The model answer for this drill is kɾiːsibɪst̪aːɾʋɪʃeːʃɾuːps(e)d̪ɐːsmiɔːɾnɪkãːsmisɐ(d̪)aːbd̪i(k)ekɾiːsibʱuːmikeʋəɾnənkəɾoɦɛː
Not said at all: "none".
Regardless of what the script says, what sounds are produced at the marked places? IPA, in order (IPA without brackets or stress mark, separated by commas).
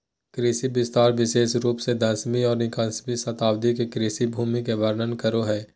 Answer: e, t̪, k